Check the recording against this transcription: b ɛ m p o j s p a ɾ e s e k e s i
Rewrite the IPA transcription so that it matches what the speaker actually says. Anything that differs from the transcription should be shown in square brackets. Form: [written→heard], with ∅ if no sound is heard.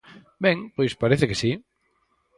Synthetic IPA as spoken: b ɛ [m→ŋ] p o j s p a ɾ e [s→θ] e k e s i